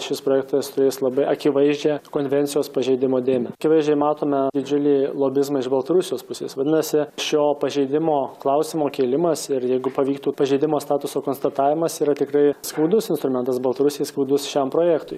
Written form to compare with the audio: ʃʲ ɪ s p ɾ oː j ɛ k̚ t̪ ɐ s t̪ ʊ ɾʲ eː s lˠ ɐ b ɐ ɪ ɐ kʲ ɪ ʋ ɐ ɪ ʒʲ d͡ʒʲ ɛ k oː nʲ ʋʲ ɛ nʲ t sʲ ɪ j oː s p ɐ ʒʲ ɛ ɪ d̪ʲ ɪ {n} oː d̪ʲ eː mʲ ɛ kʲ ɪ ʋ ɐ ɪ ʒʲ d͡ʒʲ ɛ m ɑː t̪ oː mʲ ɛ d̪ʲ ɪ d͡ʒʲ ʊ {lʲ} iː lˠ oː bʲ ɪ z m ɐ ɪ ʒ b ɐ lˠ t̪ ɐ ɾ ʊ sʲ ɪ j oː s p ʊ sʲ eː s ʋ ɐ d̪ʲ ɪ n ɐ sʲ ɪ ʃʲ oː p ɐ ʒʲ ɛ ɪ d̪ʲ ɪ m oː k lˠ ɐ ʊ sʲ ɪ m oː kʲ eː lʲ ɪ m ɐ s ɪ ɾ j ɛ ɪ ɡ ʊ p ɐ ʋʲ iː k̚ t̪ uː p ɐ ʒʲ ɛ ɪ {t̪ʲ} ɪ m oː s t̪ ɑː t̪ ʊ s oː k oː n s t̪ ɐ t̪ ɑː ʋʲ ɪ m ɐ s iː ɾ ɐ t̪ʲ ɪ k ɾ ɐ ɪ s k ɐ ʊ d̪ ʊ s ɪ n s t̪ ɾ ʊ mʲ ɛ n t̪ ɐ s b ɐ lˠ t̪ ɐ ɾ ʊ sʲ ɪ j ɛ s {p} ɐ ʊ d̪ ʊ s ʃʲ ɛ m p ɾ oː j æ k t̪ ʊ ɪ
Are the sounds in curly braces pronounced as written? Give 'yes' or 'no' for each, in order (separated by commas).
no, yes, no, no